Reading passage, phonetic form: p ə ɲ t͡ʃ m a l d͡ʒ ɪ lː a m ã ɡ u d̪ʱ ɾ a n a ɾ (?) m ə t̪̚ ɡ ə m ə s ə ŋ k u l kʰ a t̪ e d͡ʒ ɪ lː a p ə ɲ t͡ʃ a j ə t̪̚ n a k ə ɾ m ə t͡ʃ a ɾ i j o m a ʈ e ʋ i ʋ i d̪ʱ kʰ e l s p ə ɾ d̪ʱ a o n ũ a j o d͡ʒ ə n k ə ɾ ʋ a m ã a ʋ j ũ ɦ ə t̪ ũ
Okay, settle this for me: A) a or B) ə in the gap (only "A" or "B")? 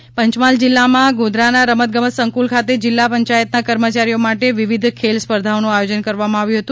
B